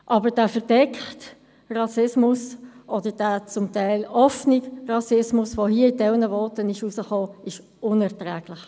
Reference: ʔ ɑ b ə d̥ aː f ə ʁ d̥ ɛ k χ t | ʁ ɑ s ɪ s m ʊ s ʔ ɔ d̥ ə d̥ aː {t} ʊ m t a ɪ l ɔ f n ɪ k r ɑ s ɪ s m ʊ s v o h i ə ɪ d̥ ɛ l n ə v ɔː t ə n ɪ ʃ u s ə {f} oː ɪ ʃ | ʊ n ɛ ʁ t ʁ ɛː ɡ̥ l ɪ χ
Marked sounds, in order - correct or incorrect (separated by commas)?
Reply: incorrect, incorrect